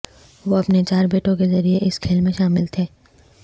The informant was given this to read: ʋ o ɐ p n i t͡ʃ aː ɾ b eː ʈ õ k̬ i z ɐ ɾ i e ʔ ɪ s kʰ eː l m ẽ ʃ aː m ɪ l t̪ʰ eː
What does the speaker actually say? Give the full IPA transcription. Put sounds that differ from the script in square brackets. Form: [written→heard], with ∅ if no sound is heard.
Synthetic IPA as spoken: ʋ o ɐ p n [i→e] t͡ʃ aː ɾ b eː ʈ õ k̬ [i→e] z ɐ ɾ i e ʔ ɪ s kʰ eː l m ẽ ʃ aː m ɪ l t̪ʰ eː